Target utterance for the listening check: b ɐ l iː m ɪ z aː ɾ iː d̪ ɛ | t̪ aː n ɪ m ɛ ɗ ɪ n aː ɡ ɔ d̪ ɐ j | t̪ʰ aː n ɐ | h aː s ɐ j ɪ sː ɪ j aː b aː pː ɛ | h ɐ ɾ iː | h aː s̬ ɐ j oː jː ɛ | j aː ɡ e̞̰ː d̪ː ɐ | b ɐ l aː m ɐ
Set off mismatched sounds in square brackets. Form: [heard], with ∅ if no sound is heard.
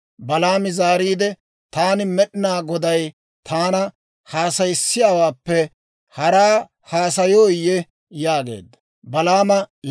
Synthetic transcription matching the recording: b ɐ l [aː] m ɪ z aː ɾ iː d̪ ɛ | t̪ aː n ɪ m ɛ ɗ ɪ n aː ɡ ɔ d̪ ɐ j | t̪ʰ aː n ɐ | h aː s ɐ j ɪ sː ɪ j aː [w] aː pː ɛ | h ɐ ɾ [aː] | h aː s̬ ɐ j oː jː ɛ | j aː ɡ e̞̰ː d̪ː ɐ | b ɐ l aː m ɐ